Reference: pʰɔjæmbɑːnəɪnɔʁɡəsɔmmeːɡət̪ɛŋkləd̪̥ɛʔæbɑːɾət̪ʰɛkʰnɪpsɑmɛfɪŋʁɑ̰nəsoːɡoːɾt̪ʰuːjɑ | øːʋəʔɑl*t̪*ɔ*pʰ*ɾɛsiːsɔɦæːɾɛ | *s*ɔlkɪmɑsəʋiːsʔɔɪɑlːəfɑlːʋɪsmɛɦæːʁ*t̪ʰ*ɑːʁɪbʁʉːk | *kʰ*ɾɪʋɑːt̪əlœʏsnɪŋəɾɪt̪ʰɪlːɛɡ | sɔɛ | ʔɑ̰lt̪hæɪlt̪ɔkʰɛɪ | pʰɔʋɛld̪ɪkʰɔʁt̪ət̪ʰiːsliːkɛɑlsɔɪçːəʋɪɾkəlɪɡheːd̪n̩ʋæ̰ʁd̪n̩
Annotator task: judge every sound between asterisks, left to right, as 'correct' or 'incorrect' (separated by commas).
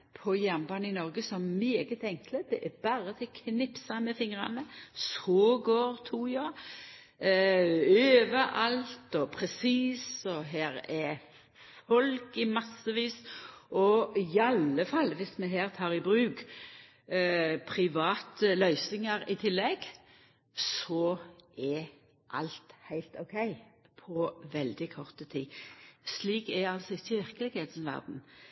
correct, correct, incorrect, correct, incorrect